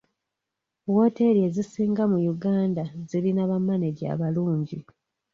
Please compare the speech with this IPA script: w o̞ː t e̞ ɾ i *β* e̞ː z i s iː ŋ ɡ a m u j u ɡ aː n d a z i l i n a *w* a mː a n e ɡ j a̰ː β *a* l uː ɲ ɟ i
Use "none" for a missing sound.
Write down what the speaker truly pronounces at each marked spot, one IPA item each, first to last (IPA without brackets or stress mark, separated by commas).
none, β, a